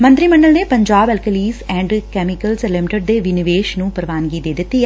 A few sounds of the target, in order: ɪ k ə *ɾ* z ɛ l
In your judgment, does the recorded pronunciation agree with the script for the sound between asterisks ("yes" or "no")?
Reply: no